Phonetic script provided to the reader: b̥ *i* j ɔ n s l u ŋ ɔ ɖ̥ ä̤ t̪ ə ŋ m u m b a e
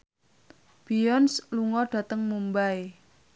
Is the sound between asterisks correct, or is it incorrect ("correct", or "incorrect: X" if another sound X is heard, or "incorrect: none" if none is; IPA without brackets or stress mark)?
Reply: correct